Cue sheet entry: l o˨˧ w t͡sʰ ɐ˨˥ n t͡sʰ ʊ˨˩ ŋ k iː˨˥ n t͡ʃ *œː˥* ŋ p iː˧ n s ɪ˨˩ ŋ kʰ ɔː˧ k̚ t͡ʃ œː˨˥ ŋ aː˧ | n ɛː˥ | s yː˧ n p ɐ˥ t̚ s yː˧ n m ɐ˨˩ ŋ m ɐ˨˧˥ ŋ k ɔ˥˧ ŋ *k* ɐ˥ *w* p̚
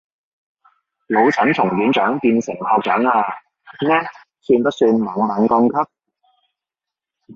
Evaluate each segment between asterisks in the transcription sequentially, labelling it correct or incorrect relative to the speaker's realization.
incorrect: œː˨˥, incorrect: kʰ, incorrect: none

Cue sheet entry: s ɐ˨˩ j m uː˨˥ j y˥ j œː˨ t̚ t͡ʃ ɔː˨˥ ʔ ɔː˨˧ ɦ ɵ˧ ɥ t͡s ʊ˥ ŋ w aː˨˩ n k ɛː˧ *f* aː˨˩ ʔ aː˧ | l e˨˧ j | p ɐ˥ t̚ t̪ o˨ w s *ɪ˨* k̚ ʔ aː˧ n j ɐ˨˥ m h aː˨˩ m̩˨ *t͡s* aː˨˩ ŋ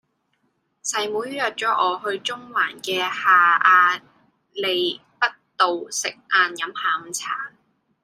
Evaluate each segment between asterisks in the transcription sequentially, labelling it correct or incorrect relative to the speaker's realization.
incorrect: h, correct, incorrect: t͡sʰ

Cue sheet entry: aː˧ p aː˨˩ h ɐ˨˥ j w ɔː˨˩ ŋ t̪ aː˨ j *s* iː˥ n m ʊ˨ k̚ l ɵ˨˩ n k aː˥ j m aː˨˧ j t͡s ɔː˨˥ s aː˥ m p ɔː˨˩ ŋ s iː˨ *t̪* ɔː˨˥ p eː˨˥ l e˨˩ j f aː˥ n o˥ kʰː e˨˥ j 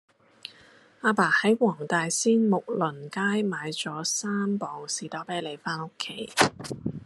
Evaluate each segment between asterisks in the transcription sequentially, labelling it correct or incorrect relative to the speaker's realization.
correct, correct

